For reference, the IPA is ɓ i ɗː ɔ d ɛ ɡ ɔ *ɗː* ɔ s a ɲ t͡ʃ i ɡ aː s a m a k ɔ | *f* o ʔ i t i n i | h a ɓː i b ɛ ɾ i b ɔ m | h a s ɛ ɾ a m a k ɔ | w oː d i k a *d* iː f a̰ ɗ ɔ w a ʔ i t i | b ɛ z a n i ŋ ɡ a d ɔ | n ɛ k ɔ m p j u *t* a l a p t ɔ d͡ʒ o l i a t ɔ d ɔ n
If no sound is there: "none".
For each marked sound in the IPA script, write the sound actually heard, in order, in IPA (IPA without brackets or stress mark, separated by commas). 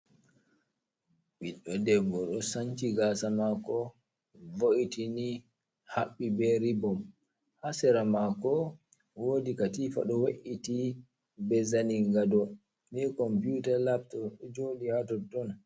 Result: ɗ, v, t, t